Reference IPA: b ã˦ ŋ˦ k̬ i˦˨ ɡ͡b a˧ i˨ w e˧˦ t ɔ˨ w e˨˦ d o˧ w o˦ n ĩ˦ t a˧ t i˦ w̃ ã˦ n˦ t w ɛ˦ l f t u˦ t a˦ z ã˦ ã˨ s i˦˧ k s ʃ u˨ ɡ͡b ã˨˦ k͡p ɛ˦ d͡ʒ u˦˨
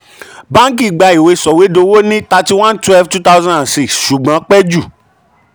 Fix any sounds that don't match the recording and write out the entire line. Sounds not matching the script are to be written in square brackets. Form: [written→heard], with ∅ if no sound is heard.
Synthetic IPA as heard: b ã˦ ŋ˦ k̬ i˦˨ ɡ͡b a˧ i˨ w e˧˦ [t→s] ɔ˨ w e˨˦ d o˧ w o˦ n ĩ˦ t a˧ t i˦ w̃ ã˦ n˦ t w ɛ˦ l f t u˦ t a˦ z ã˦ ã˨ s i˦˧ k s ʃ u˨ ɡ͡b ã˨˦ k͡p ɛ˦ d͡ʒ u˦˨